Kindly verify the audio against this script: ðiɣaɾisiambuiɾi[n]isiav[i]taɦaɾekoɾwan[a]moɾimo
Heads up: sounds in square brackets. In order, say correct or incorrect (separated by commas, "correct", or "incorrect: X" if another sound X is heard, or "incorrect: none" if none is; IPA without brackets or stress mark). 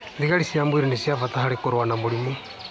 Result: correct, incorrect: a, correct